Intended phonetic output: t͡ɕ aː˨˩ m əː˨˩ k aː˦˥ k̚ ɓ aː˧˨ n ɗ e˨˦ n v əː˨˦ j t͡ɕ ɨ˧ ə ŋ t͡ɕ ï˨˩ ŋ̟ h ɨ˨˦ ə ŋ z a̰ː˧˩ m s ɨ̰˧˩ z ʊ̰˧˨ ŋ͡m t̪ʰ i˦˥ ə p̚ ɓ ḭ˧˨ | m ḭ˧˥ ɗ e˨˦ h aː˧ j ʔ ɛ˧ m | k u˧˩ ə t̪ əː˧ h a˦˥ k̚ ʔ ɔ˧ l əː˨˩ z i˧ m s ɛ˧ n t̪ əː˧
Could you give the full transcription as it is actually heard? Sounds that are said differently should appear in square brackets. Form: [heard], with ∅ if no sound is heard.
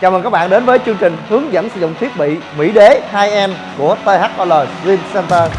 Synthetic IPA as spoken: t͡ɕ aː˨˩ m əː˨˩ k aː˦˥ k̚ ɓ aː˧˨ n ɗ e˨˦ n v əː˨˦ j t͡ɕ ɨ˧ ə ŋ t͡ɕ ï˨˩ ŋ̟ h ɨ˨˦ ə ŋ z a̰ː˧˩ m s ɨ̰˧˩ z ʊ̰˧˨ ŋ͡m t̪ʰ i˦˥ ə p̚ ɓ ḭ˧˨ | m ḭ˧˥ ɗ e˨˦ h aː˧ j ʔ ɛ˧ m | k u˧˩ ə t̪ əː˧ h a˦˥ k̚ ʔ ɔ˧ l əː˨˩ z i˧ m s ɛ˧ n t̪ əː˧